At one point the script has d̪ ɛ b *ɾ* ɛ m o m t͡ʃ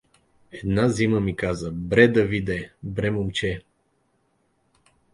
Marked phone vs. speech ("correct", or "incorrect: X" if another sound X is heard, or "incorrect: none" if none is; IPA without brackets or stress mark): correct